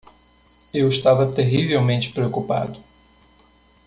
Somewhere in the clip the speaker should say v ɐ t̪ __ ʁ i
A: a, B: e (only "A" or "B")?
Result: B